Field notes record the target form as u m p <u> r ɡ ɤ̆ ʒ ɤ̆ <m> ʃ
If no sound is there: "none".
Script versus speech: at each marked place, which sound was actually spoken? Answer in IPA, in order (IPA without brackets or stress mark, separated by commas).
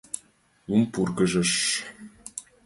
u, none